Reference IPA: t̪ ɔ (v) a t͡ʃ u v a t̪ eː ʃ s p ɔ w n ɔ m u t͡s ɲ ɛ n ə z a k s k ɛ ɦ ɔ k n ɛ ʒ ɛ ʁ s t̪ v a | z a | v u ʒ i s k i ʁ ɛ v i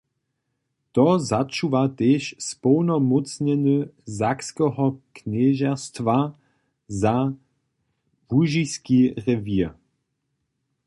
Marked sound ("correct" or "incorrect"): incorrect